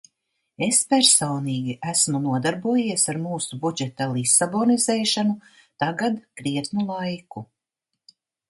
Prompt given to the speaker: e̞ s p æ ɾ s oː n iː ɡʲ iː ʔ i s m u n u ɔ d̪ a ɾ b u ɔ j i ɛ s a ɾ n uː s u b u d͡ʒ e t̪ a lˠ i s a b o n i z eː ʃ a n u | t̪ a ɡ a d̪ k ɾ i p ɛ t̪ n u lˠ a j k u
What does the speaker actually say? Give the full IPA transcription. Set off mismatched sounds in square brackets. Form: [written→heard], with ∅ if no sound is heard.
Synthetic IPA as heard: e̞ s p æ ɾ s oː n iː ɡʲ [iː→i] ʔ [i→æ] s m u n u ɔ d̪ a ɾ b u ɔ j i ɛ s a ɾ [n→m] uː s u b u d͡ʒ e t̪ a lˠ i s a b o n i z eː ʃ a n u | t̪ a ɡ a d̪ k ɾ i [p→∅] ɛ t̪ n u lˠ a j k u